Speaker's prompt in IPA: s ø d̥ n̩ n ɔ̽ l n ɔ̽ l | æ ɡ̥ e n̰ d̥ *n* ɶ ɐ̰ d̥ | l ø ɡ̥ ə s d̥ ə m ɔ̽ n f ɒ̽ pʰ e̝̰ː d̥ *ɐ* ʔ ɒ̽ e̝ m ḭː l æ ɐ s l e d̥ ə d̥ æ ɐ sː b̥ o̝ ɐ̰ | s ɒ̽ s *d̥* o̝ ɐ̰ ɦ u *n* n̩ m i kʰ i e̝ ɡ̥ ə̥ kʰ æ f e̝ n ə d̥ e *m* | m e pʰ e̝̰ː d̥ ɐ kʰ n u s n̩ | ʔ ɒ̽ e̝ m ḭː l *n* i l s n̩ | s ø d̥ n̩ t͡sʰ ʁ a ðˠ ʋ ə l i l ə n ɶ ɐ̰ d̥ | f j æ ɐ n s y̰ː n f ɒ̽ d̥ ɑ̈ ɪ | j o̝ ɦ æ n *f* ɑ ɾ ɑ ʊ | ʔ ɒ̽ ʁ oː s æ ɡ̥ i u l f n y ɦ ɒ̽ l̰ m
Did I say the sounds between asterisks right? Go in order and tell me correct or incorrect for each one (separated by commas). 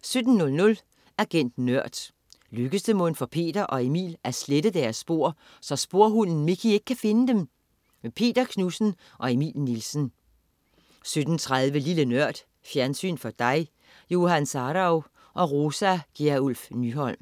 correct, correct, incorrect, correct, correct, correct, incorrect